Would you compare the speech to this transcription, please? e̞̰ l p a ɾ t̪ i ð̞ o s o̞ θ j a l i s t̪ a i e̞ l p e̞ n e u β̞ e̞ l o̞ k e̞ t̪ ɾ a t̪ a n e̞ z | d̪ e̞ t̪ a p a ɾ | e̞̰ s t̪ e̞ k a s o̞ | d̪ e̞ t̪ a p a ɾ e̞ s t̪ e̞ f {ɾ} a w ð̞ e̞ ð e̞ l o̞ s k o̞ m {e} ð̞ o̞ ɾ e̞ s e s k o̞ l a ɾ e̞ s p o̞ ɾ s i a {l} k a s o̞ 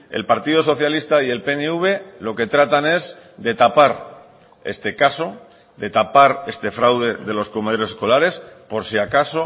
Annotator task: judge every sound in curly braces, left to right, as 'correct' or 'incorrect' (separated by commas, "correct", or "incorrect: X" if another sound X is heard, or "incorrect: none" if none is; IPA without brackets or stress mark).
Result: correct, correct, incorrect: none